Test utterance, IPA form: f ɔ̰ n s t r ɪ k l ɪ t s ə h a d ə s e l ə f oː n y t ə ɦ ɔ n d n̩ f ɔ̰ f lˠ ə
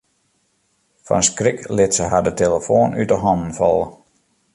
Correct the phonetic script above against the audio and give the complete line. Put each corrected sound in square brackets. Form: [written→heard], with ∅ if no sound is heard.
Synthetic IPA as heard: f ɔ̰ n s [t→k] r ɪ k l ɪ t s ə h a d ə [s→t] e l ə f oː n y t ə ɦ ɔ n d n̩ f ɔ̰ [f→∅] lˠ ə